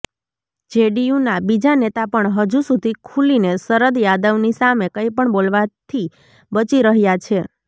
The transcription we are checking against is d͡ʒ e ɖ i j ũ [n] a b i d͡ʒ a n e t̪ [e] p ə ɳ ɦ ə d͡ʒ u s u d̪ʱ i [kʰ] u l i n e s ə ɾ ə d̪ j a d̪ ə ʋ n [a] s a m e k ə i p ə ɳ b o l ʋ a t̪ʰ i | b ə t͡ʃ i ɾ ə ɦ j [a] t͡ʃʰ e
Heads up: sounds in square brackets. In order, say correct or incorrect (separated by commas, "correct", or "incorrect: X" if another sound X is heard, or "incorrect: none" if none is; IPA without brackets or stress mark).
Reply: correct, incorrect: a, correct, incorrect: i, correct